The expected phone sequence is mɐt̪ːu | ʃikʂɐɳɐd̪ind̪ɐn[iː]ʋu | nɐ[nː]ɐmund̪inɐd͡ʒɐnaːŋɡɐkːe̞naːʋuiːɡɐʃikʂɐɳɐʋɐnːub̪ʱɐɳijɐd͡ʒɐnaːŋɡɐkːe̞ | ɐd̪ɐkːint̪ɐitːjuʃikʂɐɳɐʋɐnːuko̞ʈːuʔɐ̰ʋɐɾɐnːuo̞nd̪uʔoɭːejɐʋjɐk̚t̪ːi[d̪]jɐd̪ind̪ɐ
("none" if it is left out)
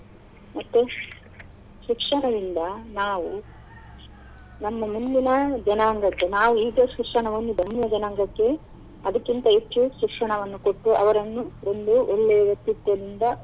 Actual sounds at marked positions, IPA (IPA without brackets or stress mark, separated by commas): aː, mː, t̪